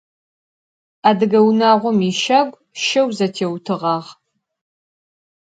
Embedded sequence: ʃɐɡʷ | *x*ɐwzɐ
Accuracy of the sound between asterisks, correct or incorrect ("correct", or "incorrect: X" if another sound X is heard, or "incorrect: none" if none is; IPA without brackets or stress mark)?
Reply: incorrect: ʃ